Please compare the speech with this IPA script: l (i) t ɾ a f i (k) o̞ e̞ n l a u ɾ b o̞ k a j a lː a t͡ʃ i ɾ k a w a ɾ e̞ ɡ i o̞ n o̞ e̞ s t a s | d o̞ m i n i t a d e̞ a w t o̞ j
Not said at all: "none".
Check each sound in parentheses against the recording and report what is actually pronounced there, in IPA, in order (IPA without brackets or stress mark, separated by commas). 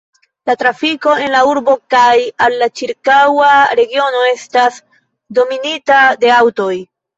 a, k